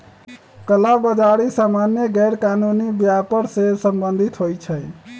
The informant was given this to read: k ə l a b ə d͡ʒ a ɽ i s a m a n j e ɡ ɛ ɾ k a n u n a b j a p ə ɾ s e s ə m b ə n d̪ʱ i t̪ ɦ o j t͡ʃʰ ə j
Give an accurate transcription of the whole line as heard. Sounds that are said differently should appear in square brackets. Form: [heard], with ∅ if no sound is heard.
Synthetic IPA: k ə l a b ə d͡ʒ a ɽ i s a m a n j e ɡ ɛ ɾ k a n u n [i] b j a p ə ɾ s e s ə m b ə n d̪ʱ i t̪ ɦ o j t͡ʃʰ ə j